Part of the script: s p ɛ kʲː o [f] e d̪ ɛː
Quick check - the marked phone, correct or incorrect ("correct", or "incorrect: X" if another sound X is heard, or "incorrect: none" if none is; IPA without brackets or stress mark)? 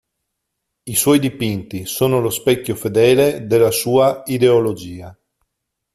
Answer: correct